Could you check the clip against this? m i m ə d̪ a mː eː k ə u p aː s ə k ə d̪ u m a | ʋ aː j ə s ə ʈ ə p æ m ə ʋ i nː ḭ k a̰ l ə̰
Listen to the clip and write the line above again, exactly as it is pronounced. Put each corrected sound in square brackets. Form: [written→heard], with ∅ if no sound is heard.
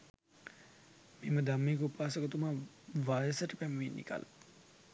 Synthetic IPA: m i m ə d̪ a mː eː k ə u p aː s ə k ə [d̪→t̪] u m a | ʋ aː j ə s ə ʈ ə p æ m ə ʋ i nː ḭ k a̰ l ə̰